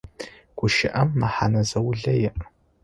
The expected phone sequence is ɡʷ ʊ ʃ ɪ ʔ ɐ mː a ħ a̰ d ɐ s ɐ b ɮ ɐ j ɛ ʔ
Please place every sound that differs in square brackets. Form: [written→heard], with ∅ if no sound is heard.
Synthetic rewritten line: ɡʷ ʊ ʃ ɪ ʔ ɐ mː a ħ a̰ [d→n] ɐ [s→z] ɐ [b→w] ɮ ɐ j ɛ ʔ